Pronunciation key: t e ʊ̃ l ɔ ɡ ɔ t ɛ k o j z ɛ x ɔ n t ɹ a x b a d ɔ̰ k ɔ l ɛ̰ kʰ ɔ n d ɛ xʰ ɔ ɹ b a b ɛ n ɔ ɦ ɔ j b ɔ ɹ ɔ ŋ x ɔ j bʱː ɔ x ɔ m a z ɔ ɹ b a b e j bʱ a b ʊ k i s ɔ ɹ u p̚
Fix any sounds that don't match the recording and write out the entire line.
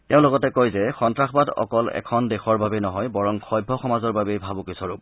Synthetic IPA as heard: t e ʊ̃ l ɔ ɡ ɔ t ɛ k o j z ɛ x ɔ n t ɹ a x b a d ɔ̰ k ɔ l ɛ̰ kʰ ɔ n d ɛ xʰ ɔ ɹ b a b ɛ n ɔ ɦ ɔ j b ɔ ɹ ɔ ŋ x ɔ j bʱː ɔ x ɔ m a z ɔ ɹ b a b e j bʱ a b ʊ k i s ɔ ɹ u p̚